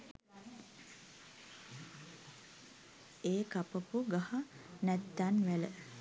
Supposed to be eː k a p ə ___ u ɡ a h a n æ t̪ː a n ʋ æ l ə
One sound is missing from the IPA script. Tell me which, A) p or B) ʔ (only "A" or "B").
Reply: A